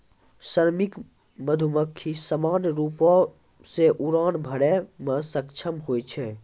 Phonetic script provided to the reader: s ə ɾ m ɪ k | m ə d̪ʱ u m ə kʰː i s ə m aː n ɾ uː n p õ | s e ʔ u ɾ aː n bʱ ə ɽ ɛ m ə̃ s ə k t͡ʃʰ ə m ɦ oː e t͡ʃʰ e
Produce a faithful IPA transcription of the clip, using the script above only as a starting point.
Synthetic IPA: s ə ɾ m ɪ k | m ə d̪ʱ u m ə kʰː i s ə m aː n ɾ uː p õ | s e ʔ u ɾ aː n bʱ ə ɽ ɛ m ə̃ s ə k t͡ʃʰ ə m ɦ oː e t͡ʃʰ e